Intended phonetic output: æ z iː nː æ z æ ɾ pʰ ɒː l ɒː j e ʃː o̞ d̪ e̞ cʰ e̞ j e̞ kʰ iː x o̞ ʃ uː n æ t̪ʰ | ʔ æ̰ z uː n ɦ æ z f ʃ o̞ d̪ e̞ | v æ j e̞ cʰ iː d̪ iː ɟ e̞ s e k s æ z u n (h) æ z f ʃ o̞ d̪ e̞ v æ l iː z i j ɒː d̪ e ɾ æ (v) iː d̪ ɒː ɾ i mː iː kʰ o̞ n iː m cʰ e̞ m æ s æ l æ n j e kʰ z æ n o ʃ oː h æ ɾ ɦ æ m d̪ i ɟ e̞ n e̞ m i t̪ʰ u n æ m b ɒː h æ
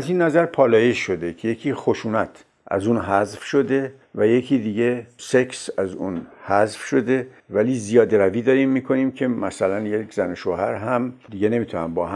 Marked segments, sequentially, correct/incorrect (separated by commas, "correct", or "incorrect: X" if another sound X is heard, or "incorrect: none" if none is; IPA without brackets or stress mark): correct, correct